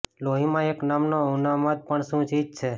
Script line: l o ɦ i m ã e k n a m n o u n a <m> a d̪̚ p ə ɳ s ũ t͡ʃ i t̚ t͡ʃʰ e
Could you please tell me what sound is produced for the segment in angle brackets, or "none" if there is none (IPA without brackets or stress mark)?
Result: m